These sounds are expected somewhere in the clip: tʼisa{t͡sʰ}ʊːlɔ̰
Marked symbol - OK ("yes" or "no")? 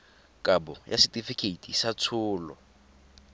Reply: yes